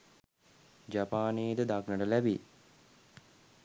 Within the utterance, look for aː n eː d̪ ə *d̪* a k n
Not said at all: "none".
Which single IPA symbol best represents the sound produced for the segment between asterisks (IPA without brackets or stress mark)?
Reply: d̪